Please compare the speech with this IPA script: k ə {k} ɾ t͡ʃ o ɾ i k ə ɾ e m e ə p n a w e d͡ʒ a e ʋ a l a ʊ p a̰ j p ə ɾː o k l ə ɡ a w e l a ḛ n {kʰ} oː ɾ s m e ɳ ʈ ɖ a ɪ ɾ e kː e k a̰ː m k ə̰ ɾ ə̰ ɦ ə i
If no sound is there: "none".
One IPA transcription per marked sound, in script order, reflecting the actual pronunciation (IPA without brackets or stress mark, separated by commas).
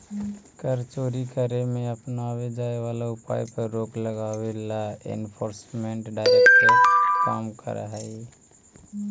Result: none, pʰ